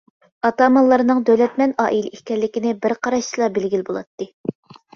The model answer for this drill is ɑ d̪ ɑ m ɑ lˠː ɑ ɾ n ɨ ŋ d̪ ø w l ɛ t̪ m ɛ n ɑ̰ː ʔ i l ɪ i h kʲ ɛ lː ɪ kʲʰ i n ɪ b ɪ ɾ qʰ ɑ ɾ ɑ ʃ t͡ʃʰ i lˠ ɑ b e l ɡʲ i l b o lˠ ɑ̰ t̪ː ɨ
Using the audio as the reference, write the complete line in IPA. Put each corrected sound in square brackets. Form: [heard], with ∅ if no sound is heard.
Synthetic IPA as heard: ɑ [t̪] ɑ m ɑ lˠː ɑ ɾ n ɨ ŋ d̪ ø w l ɛ t̪ m ɛ n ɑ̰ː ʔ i l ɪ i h kʲ ɛ lː ɪ [kʲ] i n ɪ b ɪ ɾ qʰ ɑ ɾ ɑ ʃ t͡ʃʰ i lˠ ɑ b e l ɡʲ i l b o lˠ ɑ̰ t̪ː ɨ